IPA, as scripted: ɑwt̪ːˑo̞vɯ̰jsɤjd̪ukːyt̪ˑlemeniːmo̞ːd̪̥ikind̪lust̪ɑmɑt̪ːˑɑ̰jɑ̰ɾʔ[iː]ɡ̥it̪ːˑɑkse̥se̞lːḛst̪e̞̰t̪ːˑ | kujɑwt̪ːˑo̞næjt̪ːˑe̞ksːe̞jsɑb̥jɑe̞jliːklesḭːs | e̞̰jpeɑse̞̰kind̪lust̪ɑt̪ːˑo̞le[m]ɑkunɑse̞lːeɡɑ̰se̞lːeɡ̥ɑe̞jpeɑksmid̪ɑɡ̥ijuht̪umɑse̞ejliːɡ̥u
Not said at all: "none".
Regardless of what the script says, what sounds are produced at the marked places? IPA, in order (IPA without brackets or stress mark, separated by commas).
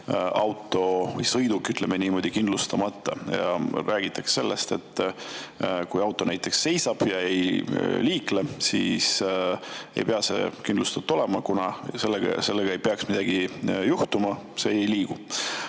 æː, m